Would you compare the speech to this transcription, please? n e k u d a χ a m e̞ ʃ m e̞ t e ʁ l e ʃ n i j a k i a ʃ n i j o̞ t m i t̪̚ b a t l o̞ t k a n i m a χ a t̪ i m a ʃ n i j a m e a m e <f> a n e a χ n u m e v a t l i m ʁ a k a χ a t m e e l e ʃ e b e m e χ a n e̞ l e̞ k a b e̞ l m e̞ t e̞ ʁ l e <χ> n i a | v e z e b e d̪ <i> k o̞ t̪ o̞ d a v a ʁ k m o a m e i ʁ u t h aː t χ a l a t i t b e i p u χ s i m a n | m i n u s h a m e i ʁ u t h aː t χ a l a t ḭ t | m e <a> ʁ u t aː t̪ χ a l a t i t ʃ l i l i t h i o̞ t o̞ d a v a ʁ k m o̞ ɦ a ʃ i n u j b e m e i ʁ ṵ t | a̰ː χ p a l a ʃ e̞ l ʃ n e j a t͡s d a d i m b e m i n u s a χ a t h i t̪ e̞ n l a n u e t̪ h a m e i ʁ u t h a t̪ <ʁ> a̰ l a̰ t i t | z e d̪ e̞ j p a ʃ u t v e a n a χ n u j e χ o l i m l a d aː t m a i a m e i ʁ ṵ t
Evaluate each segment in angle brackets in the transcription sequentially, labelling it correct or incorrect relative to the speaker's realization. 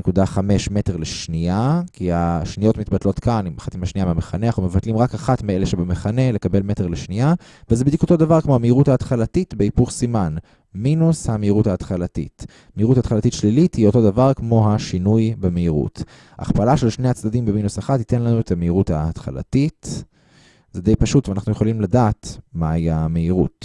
incorrect: χ, incorrect: ʃ, correct, incorrect: i, incorrect: χ

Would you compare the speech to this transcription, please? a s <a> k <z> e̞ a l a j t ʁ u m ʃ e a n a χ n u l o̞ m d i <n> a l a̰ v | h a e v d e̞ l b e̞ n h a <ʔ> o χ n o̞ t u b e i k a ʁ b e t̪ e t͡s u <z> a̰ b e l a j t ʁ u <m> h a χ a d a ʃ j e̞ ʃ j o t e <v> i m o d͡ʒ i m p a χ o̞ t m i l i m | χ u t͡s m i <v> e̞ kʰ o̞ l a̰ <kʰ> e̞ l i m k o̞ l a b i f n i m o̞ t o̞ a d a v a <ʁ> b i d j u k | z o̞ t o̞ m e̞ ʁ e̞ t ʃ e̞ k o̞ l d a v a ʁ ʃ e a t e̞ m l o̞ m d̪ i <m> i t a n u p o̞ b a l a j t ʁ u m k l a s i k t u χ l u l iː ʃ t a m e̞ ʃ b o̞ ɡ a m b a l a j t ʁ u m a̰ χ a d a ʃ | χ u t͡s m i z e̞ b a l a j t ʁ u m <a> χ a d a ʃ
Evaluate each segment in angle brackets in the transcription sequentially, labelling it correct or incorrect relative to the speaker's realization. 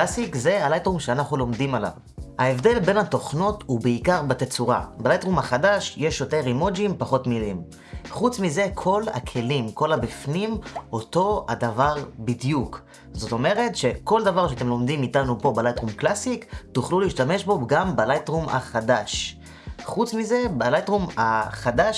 incorrect: i, correct, incorrect: m, incorrect: t, incorrect: ʁ, correct, incorrect: ʁ, incorrect: z, correct, correct, correct, correct

